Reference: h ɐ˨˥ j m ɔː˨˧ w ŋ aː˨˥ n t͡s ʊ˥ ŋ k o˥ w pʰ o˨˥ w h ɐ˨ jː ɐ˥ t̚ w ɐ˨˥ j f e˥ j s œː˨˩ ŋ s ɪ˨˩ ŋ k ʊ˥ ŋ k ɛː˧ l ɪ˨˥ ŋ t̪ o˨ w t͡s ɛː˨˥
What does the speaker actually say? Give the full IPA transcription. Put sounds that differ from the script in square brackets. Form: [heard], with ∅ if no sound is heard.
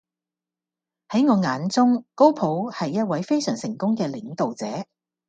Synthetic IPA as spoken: h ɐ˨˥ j [ŋ] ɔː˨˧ [∅] ŋ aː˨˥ n t͡s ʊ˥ ŋ k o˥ w pʰ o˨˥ w h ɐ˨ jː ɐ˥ t̚ w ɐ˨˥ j f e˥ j s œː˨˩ ŋ s ɪ˨˩ ŋ k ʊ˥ ŋ k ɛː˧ l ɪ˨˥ ŋ t̪ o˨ w t͡s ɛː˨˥